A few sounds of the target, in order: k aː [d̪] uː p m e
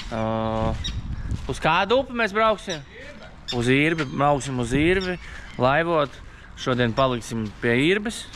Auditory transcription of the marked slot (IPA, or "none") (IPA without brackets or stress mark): d̪